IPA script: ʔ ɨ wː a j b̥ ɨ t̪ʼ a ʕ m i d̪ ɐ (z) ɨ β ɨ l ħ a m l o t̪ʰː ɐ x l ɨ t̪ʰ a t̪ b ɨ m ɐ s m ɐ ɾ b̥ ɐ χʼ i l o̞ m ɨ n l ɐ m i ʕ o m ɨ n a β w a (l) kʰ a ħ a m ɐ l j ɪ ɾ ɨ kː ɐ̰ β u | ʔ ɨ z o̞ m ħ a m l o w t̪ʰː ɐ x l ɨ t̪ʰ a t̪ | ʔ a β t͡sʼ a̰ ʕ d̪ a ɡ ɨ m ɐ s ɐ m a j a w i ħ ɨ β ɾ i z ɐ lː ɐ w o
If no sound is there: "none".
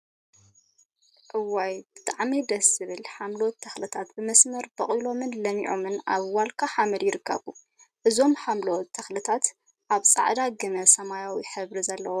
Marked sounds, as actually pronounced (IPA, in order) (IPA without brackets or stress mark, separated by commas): s, l